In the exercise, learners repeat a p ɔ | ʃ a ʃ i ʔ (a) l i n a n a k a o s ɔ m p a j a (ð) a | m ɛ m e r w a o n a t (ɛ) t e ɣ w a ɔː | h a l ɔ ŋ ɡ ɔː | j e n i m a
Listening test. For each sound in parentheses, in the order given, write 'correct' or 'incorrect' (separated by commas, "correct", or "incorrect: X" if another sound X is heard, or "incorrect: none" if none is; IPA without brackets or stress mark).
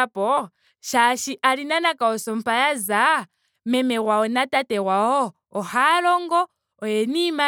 correct, incorrect: z, incorrect: a